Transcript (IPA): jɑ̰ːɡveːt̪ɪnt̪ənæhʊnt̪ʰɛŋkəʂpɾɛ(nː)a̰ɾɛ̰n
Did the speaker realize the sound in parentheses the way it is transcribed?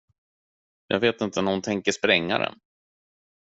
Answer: no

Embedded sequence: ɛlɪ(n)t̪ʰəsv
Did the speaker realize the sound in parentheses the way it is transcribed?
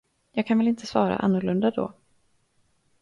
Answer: yes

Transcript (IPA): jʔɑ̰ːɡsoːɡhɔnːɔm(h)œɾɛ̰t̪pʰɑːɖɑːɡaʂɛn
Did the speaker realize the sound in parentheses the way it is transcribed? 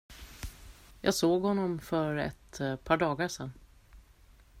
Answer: no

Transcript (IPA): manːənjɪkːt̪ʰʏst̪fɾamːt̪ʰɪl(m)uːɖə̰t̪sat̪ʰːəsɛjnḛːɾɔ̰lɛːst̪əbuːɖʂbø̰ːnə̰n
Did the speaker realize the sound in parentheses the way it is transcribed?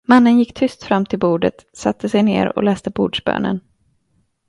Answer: no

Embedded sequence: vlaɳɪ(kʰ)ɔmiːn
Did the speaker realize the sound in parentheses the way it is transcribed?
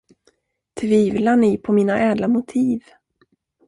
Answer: no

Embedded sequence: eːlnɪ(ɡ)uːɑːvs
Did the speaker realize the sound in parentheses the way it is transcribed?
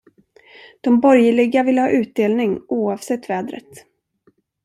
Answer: no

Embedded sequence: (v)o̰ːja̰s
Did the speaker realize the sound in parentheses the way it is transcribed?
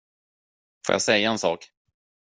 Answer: no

